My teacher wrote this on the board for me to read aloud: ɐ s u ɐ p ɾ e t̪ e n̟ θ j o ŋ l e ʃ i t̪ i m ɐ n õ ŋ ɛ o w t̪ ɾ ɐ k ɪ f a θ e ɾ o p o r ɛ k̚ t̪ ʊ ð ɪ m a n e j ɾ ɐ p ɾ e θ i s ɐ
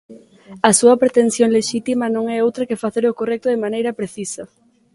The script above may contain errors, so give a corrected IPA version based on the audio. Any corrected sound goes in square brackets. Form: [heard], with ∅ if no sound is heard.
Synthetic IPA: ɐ s u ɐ p ɾ e t̪ e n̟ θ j o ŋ l e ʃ i t̪ i m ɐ n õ ŋ ɛ o w t̪ ɾ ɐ k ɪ f a θ e ɾ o [k] o r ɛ k̚ t̪ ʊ ð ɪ m a n e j ɾ ɐ p ɾ e θ i s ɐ